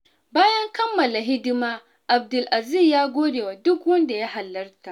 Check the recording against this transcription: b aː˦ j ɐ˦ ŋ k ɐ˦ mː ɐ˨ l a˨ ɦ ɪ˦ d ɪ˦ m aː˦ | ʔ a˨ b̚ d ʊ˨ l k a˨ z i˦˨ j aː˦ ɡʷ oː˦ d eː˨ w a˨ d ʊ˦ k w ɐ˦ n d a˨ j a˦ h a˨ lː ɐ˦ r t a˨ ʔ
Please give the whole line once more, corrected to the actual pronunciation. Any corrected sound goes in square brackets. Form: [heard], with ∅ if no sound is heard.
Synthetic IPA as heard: b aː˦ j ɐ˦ ŋ k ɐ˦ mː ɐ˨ l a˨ ɦ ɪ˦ d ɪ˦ m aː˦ | ʔ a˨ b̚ d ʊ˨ l [ʔ] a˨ z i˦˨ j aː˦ ɡʷ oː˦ d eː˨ w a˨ d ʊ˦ k w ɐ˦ n d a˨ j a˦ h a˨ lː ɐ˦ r t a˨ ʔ